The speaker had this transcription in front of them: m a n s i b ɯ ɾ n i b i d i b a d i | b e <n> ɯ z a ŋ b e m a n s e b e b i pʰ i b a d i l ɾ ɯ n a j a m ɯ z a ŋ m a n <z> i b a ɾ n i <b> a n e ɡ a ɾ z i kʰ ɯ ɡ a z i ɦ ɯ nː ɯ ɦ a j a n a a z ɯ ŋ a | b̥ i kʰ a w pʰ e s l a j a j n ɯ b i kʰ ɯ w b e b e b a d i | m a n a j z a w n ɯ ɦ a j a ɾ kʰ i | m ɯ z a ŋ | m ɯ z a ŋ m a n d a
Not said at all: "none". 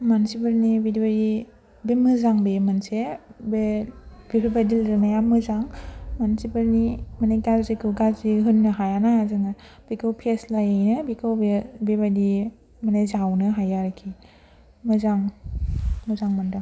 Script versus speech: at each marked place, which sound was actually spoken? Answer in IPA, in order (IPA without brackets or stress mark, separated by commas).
m, s, m